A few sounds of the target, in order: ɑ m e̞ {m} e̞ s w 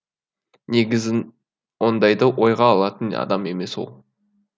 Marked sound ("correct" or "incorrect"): correct